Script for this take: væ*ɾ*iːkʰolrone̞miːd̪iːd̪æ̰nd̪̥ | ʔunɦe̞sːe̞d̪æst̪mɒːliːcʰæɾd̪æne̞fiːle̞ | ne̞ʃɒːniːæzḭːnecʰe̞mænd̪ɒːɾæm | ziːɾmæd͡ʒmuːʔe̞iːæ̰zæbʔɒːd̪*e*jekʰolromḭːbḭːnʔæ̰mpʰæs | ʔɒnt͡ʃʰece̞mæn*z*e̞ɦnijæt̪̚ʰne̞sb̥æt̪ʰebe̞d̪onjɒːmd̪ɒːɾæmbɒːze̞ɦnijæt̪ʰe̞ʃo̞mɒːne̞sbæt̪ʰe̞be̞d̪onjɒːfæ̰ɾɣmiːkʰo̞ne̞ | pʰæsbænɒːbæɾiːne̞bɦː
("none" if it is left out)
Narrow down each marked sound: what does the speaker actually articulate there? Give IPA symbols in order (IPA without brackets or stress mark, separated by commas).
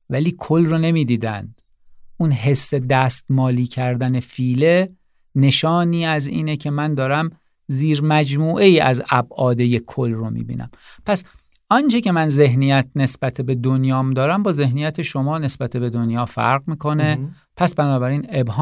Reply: l, e, z